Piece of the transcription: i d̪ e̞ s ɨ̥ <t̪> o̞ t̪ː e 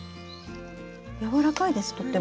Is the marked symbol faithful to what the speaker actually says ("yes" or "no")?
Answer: yes